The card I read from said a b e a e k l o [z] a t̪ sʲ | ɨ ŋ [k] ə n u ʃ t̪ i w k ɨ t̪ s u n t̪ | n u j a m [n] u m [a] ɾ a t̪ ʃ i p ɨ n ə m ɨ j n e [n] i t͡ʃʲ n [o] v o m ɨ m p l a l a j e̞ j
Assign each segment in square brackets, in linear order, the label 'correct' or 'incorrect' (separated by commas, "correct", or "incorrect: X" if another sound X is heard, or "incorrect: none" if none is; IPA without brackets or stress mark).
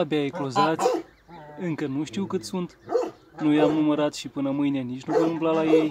correct, correct, correct, incorrect: ə, correct, incorrect: u